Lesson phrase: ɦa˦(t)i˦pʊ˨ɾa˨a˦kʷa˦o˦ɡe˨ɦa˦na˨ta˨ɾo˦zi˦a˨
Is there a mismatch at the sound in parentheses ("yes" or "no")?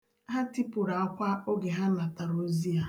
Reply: no